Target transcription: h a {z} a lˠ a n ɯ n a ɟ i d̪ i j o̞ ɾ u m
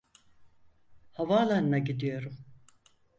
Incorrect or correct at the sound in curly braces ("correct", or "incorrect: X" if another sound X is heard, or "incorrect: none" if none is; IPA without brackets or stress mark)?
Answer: incorrect: v